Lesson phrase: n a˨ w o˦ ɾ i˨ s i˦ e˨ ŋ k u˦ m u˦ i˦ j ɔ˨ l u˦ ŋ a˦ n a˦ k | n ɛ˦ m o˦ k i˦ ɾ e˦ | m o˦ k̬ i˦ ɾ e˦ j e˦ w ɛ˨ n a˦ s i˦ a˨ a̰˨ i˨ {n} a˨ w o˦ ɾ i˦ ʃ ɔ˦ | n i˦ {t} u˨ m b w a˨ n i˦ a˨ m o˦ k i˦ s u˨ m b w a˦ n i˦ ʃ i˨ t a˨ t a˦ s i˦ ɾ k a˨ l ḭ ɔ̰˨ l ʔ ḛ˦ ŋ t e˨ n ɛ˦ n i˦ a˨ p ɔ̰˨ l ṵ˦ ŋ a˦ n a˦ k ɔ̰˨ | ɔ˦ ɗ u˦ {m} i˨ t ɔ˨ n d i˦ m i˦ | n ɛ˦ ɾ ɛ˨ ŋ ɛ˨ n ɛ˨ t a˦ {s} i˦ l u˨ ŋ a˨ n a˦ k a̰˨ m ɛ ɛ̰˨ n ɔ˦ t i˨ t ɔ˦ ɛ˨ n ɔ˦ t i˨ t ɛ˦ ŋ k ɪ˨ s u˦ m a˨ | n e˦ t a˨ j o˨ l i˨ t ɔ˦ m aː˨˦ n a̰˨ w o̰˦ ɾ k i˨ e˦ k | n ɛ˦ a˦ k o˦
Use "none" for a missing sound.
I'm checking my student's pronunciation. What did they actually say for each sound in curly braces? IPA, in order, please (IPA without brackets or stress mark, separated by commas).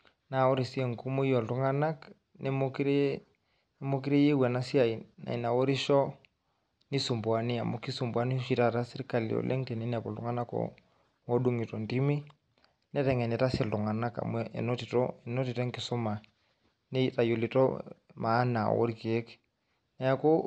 n, s, ŋ, s